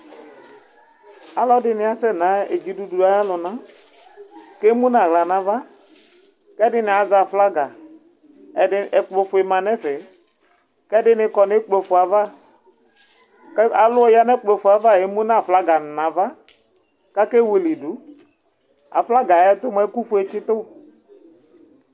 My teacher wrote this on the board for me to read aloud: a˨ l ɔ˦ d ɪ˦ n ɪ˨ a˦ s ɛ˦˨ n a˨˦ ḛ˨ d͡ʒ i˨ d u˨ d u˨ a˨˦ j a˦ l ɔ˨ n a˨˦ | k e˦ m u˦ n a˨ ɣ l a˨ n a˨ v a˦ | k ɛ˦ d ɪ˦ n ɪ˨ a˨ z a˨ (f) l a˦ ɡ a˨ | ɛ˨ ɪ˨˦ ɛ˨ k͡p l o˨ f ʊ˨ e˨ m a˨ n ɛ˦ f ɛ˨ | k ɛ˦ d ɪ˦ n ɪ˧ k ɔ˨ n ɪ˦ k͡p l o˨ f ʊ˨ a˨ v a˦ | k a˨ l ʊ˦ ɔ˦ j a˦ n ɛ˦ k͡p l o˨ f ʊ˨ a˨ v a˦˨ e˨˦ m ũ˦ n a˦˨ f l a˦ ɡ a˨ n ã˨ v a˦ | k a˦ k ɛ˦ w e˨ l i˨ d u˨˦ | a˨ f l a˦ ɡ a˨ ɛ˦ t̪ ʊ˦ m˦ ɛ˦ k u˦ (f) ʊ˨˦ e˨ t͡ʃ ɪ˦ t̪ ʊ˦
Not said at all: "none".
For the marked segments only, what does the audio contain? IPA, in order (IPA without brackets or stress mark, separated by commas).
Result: f, f